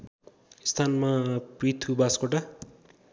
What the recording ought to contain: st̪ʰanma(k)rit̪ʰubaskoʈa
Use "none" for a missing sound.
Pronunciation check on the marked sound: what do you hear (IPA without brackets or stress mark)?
p